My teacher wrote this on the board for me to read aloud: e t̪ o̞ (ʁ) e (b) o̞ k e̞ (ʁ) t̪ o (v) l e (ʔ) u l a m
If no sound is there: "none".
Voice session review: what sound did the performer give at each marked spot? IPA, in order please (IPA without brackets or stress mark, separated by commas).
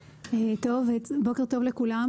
v, b, ʁ, v, k